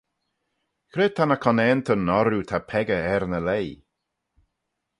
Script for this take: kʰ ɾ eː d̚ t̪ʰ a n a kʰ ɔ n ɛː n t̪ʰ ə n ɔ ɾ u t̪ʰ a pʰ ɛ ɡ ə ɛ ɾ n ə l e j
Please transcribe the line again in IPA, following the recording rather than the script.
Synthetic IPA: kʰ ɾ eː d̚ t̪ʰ a n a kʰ ɔ n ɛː n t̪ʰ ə n ɔ ɾ u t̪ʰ a pʰ ɛ ɡ ə ɛ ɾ n ə l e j